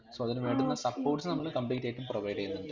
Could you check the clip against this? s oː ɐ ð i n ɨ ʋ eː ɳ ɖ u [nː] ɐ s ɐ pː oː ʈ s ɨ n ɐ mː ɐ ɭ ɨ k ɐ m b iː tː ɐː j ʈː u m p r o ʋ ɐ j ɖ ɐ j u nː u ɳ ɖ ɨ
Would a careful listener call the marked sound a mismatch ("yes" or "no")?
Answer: no